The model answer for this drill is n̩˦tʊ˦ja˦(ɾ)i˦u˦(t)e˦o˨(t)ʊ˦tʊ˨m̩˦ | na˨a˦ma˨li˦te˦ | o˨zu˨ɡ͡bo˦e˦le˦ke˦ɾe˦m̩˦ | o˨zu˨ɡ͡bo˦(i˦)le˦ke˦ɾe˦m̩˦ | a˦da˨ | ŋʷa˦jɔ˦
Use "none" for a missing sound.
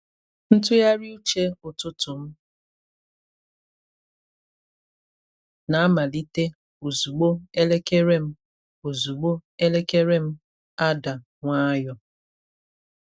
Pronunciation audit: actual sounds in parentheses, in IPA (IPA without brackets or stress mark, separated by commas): ɾ, t͡ʃ, t, e˦